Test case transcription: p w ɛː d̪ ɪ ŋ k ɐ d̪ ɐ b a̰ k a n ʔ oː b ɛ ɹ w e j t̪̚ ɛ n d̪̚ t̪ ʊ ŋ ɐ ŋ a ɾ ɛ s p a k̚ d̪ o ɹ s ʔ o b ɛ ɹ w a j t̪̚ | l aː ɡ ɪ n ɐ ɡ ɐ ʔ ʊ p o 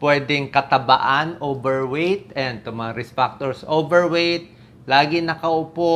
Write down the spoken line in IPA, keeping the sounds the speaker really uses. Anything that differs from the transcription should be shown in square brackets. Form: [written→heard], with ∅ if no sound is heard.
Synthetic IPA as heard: p w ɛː d̪ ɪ ŋ k ɐ [d̪→t̪] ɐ b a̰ [k→ʔ] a n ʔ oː b ɛ ɹ w e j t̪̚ ɛ n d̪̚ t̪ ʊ [ŋ→m] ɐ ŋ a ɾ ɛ s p a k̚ [d̪→t̪] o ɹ s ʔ o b ɛ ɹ w [a→e] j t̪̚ | l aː ɡ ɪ n ɐ [ɡ→k] ɐ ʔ ʊ p o